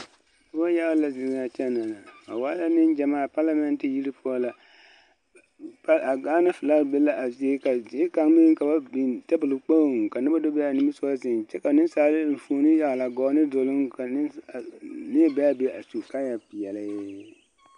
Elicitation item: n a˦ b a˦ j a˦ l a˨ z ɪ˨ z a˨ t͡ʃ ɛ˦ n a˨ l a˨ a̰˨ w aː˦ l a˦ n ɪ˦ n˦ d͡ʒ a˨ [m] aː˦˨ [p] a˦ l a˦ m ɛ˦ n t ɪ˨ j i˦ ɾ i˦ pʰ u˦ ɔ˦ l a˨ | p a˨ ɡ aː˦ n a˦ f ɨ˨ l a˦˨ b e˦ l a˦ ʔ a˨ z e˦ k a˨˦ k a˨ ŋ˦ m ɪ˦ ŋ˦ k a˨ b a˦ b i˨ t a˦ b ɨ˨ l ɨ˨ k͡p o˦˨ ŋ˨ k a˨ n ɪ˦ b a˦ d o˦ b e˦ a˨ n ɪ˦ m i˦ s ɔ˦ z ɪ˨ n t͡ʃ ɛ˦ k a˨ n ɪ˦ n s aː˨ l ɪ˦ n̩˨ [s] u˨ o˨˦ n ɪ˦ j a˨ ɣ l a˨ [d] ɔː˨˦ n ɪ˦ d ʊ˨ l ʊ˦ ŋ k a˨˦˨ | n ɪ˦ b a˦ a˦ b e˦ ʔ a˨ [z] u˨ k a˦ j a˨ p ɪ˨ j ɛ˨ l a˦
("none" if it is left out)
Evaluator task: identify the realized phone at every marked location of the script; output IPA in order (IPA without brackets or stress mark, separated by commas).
m, p, f, ɡ, s